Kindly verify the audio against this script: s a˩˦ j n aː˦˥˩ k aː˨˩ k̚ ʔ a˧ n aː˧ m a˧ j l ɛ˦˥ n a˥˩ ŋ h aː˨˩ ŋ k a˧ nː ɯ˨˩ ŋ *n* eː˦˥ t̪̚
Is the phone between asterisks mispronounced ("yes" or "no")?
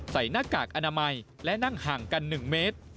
yes